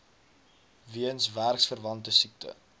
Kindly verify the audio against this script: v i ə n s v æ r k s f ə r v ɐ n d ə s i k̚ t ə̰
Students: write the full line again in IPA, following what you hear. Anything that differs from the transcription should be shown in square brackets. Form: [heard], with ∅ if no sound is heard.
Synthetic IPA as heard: v i ə n s v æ r k s f ə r v ɐ n [t] ə s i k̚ t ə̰